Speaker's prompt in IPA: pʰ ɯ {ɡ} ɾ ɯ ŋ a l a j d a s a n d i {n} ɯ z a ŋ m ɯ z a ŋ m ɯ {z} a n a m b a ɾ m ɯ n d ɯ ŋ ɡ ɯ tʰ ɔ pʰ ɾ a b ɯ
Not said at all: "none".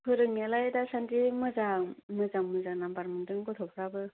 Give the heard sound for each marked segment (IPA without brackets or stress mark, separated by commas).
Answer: none, m, z